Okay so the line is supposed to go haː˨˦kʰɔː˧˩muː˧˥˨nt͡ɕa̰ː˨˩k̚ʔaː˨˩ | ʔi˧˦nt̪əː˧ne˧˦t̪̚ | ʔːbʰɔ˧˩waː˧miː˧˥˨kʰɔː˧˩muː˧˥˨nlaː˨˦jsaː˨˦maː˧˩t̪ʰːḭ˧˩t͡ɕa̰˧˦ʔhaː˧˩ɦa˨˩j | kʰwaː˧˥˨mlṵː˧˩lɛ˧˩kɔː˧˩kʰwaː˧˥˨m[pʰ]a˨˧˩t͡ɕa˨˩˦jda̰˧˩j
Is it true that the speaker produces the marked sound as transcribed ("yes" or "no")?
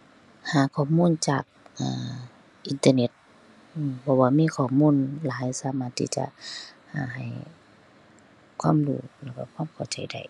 no